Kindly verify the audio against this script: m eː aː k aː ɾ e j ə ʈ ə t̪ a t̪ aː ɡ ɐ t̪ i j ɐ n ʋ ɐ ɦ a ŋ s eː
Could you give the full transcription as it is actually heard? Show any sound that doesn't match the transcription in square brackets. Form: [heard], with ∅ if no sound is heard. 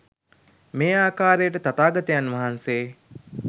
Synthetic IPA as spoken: m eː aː k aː ɾ e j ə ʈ ə t̪ a t̪ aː ɡ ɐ t̪ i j [a] n ʋ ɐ ɦ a [n] s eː